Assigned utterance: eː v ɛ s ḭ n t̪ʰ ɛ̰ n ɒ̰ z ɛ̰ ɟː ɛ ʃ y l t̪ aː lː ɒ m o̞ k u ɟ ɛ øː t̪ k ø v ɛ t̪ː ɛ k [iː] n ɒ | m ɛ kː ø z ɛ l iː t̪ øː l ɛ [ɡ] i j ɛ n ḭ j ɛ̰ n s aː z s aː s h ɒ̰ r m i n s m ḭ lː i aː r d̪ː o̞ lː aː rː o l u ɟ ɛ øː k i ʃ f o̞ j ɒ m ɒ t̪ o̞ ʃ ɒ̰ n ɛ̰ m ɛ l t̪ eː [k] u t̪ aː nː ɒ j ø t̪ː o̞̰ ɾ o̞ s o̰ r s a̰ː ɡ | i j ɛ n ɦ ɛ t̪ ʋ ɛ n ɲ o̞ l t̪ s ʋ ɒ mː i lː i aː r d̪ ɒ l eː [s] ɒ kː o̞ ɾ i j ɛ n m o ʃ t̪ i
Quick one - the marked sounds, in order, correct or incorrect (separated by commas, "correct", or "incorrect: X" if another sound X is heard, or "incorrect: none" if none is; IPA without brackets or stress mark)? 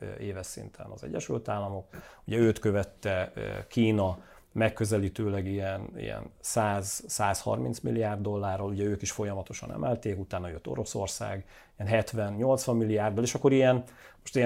correct, correct, correct, incorrect: ʃ